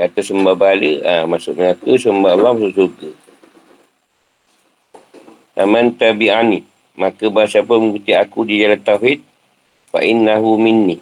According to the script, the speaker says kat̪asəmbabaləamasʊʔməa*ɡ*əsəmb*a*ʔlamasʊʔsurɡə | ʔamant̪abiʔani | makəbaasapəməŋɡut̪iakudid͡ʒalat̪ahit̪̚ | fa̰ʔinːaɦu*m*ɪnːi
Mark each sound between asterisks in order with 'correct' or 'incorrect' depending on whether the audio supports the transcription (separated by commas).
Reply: incorrect, correct, correct